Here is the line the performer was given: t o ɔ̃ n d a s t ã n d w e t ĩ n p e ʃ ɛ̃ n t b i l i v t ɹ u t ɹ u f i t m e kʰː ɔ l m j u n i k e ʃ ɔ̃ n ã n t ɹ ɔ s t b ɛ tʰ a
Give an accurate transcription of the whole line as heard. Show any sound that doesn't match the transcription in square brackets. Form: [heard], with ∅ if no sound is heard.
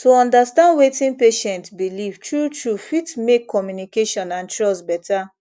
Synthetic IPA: t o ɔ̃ n d a s t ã n d w e t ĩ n p e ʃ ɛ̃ n t b i l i v t ɹ u t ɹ u f i t m e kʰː ɔ [∅] m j u n i k e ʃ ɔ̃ n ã n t ɹ ɔ s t b ɛ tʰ a